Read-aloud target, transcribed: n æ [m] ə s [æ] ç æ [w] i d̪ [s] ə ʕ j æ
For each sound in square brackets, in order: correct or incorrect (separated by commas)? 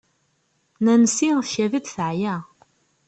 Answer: incorrect, incorrect, incorrect, incorrect